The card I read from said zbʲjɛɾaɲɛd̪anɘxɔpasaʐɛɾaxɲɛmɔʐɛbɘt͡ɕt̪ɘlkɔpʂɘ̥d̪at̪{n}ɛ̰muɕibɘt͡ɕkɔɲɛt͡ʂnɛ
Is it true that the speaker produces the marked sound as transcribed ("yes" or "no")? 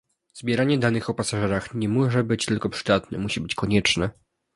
yes